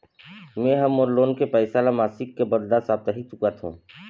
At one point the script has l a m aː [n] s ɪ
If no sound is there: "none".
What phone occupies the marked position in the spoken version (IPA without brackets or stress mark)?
none